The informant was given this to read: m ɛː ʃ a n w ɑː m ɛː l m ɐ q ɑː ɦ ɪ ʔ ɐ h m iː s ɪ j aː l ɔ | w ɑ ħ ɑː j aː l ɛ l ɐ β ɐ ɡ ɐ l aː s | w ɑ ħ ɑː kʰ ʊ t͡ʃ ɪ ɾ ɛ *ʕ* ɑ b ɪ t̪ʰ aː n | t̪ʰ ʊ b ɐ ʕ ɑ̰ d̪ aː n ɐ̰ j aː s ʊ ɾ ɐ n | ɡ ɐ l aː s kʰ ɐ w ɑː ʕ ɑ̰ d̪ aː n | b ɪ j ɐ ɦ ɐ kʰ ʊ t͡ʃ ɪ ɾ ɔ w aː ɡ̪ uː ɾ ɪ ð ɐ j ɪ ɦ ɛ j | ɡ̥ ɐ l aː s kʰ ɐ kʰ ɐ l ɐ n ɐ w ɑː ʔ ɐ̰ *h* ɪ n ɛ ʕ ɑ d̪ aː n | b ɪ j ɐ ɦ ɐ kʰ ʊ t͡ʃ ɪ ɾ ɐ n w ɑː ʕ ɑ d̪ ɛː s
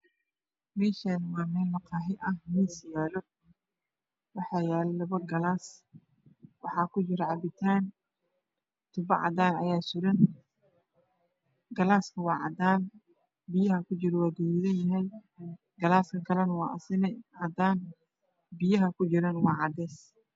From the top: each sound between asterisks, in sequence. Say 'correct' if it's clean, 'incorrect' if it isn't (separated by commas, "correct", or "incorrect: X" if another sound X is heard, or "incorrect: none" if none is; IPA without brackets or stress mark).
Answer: correct, incorrect: s